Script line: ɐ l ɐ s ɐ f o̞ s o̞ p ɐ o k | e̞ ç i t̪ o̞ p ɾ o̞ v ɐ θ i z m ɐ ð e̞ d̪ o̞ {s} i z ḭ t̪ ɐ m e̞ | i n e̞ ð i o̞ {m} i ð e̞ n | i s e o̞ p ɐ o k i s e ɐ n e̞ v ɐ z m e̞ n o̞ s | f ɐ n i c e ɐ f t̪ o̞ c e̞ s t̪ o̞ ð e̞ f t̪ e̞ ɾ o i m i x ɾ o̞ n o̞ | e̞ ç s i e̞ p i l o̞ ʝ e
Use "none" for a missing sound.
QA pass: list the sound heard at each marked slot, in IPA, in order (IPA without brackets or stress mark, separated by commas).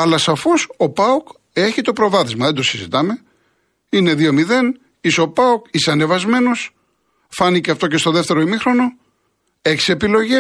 s, m